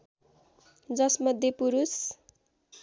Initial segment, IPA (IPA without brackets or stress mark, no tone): d͡z